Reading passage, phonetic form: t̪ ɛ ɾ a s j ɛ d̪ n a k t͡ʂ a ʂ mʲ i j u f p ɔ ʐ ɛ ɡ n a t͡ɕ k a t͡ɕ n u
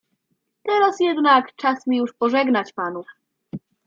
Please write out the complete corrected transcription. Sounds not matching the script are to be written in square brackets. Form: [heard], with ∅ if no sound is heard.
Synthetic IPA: t̪ ɛ ɾ a s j ɛ d̪ n a k t͡ʂ a [s] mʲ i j u [ʂ] p ɔ ʐ ɛ ɡ n a t͡ɕ [p] a [∅] n u